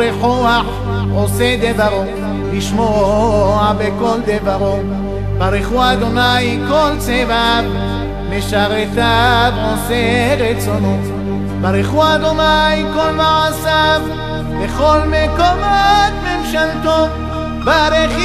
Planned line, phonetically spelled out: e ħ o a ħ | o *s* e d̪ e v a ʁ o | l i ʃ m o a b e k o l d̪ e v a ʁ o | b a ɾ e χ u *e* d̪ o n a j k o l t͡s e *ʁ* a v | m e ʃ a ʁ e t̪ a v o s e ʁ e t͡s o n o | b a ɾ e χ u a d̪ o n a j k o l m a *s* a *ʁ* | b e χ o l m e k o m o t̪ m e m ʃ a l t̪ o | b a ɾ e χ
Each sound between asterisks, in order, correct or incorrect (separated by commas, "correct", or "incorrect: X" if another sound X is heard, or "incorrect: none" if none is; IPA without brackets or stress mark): correct, incorrect: a, incorrect: v, correct, incorrect: v